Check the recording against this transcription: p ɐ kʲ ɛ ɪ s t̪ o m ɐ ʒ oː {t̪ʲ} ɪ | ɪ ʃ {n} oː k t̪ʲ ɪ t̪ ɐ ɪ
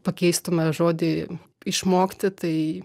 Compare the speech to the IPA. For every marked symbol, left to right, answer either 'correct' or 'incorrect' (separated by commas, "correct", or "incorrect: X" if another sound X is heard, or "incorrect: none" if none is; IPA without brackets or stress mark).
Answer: incorrect: d̪ʲ, incorrect: m